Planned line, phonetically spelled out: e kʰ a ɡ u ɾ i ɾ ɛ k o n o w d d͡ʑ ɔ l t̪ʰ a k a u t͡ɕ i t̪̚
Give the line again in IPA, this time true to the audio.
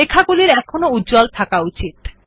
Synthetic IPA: e kʰ a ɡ u l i ɾ ɛ kʰ o n o u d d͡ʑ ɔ l t̪ʰ a k a u t͡ɕ i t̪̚